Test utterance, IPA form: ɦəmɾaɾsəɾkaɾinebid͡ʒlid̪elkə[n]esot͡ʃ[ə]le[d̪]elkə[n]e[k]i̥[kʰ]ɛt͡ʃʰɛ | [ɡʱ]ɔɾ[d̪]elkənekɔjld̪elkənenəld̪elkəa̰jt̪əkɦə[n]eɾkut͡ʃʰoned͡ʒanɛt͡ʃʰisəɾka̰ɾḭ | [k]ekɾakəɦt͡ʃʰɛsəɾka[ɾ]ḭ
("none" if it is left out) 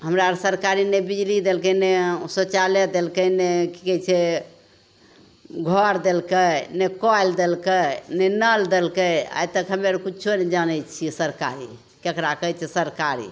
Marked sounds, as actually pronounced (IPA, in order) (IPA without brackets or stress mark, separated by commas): n, a, d̪, n, k, k, ɡʱ, d̪, m, k, ɾ